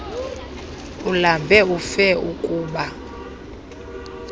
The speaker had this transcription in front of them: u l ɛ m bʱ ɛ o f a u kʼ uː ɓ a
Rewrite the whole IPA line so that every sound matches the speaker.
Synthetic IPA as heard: u l a m bʱ ɛ u f ɛ u kʼ uː ɓ a